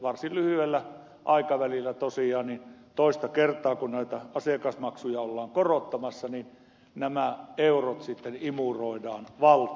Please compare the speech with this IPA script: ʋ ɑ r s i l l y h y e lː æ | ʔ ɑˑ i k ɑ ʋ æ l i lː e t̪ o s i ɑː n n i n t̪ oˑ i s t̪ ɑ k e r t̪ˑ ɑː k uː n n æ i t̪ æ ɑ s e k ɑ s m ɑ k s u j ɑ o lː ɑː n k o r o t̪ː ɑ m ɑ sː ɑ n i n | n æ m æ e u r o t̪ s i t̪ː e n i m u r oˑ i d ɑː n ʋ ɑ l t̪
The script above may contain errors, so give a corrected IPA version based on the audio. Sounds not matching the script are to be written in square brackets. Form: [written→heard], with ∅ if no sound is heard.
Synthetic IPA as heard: ʋ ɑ r s i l l y h y e lː æ | ʔ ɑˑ i k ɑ ʋ æ l i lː [e→æ] t̪ o s i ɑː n n i n t̪ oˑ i s t̪ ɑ k e r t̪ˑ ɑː k [uː→u] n n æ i t̪ æ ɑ s e k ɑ s m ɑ k s u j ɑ o lː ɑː [n→ŋ] k o r o t̪ː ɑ m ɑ sː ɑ n i n | n æ m æ e u r o t̪ s i t̪ː e n i m u r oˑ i d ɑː n ʋ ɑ l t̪